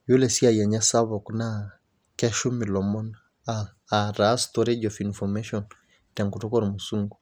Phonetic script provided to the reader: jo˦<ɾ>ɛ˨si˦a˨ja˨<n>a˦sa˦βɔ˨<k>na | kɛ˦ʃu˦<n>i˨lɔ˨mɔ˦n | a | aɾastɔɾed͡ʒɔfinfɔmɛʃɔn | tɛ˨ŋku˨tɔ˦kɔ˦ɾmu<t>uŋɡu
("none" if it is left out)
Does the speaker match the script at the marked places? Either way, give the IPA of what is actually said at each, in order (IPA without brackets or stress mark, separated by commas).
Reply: l, ɲ, k, m, s